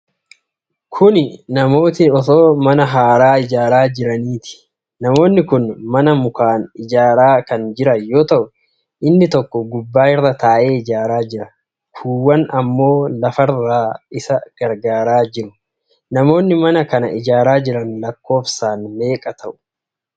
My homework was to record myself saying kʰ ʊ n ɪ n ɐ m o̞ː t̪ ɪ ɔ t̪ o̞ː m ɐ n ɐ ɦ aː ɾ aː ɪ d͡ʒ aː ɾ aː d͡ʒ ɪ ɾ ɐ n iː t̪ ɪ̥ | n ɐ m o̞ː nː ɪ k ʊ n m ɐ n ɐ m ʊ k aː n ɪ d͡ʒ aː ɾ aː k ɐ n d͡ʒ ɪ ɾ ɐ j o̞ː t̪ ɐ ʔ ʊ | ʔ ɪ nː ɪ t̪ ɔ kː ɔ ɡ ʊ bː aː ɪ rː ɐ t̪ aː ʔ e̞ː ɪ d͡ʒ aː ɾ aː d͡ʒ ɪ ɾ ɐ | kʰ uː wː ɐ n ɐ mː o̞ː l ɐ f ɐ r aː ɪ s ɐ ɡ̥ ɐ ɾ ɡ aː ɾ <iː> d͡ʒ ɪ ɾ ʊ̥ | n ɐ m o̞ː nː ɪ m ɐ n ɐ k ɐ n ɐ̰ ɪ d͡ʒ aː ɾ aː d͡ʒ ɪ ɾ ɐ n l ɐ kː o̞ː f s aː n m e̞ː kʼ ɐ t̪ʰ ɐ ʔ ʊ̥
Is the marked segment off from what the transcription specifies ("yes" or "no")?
yes